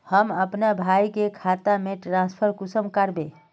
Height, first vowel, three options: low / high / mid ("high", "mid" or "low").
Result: mid